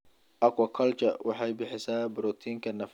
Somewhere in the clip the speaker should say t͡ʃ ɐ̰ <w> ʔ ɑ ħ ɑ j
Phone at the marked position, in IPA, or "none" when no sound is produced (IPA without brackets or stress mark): w